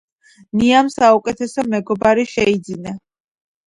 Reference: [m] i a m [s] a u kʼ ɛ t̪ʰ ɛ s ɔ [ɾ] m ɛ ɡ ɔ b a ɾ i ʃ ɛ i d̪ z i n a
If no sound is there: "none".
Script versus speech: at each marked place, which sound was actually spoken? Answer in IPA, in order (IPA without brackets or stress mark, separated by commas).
n, s, none